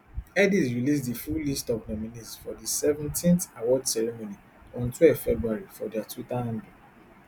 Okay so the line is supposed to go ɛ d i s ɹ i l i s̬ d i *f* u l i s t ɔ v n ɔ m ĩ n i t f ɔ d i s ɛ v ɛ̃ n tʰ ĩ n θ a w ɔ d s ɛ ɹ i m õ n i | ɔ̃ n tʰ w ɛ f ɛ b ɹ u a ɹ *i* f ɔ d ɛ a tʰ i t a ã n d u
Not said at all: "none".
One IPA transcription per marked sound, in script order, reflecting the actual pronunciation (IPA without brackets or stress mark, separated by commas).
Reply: f, i